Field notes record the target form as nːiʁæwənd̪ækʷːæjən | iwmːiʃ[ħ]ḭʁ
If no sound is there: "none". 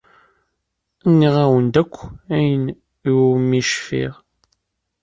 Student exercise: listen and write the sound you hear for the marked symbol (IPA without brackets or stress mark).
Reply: f